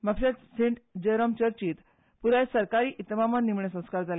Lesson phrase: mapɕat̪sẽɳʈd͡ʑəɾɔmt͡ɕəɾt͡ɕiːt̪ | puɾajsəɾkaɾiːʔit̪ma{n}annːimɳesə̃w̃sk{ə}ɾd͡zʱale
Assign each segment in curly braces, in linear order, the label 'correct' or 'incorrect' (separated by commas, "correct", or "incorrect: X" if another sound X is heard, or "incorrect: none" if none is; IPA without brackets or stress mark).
incorrect: m, incorrect: a